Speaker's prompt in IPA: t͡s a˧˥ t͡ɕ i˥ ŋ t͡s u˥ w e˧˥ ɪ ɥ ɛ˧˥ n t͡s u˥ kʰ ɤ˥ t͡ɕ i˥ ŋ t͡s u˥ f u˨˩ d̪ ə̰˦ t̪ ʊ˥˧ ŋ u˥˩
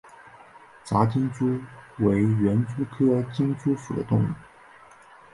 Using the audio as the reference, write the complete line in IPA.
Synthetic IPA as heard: t͡s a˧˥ t͡ɕ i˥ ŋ t͡s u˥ w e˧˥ ɪ ɥ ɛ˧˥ n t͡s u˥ kʰ ɤ˥ t͡ɕ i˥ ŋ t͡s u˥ f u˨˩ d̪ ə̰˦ t̪ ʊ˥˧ ŋ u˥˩